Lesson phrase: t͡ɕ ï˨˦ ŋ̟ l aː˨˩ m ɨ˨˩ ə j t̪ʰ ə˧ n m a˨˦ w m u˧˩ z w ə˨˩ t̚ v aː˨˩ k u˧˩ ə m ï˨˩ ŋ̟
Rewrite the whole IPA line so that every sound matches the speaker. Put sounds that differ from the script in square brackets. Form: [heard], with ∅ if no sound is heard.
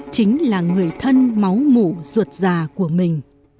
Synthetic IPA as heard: t͡ɕ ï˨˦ ŋ̟ l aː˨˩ [ŋ] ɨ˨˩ ə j t̪ʰ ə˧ n m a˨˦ w m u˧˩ z w ə˨˩ t̚ [z] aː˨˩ k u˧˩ ə m ï˨˩ ŋ̟